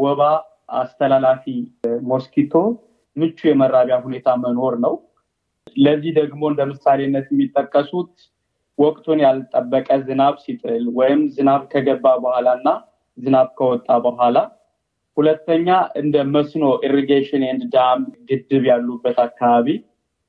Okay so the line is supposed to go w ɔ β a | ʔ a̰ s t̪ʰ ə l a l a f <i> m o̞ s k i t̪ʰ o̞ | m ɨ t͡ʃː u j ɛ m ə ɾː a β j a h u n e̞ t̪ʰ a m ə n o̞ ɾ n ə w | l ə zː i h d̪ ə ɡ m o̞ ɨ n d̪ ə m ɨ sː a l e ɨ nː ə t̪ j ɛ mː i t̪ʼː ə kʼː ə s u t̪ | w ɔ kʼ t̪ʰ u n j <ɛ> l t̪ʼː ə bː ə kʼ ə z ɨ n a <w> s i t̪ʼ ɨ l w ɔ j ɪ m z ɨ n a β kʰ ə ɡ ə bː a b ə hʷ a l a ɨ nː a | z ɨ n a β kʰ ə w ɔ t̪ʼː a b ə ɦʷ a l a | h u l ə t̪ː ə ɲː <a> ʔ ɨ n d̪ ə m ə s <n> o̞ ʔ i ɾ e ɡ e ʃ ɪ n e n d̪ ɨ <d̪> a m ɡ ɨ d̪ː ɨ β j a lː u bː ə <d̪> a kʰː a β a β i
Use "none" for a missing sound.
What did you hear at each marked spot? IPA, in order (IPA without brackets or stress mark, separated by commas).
i, a, β, a, n, d̪, t̪